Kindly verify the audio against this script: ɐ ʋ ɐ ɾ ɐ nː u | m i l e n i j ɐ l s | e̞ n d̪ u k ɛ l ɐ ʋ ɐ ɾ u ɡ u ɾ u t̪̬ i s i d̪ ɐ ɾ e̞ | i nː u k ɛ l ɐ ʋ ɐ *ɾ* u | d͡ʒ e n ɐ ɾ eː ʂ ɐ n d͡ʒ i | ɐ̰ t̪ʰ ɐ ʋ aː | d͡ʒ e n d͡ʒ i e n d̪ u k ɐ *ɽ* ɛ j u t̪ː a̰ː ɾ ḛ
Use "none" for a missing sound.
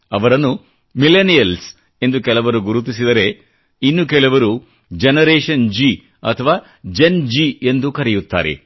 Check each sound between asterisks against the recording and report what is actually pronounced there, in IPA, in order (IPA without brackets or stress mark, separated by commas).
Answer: ɾ, ɾ